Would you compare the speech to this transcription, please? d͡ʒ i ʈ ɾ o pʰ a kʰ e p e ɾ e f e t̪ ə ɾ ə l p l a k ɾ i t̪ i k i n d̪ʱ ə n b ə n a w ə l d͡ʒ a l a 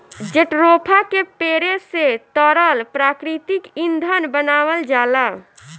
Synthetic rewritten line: d͡ʒ e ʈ ɾ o pʰ a k e p e ɾ e s e t̪ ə ɾ ə l p ɾ a k ɾ i t̪ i k i n d̪ʱ ə n b ə n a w ə l d͡ʒ a l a